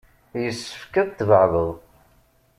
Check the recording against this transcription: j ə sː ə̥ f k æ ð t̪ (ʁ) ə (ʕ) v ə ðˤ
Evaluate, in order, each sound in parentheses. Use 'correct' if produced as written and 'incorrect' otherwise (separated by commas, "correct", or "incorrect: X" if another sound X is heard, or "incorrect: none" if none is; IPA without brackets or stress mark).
incorrect: v, correct